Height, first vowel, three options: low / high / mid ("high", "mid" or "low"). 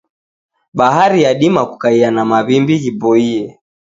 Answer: low